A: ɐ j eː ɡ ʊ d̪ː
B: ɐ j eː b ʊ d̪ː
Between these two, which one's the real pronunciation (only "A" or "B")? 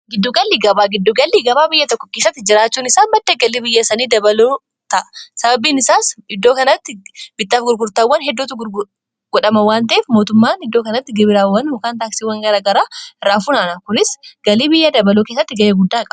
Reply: A